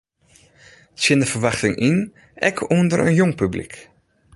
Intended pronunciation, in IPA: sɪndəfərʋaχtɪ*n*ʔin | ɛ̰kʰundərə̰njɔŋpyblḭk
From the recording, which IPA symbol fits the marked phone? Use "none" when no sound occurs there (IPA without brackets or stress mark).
ŋ